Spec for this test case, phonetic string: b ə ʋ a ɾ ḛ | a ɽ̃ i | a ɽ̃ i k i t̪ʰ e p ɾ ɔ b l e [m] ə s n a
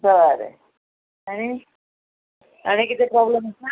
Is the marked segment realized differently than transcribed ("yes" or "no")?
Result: no